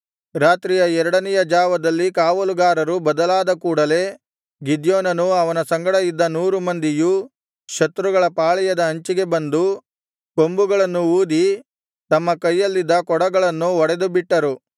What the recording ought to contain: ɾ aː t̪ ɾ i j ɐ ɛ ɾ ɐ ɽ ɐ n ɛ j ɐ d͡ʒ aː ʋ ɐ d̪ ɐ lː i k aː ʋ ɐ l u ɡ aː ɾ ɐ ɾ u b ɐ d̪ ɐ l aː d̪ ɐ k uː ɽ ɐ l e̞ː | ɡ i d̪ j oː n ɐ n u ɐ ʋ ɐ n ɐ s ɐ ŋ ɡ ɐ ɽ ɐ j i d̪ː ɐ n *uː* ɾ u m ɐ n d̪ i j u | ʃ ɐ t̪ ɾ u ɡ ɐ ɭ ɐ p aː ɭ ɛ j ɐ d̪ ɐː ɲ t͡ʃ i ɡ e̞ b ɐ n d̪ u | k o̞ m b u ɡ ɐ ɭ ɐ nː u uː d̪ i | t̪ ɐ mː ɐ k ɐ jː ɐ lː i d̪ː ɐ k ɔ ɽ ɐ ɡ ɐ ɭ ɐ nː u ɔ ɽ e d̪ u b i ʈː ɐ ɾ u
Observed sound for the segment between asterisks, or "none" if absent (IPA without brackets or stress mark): uː